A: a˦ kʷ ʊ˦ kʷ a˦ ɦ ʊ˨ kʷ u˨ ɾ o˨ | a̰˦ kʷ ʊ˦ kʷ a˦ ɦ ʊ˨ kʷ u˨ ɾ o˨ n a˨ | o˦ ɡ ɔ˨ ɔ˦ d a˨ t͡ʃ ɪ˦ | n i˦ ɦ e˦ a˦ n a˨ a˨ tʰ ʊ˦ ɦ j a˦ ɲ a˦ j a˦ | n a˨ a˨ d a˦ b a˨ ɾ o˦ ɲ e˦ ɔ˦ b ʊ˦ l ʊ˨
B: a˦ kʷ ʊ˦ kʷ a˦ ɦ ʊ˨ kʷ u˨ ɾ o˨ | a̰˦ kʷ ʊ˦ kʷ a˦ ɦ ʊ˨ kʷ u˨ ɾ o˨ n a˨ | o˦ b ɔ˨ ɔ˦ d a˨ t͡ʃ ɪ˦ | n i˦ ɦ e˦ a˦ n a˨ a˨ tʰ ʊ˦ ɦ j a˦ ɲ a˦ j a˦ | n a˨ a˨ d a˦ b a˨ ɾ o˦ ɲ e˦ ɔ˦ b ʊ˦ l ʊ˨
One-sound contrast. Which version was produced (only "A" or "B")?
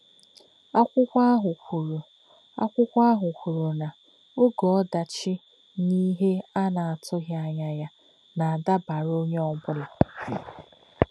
A